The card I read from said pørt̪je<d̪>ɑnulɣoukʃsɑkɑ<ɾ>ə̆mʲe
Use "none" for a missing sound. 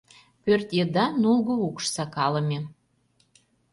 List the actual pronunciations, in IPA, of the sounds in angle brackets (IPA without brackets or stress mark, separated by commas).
d̪, l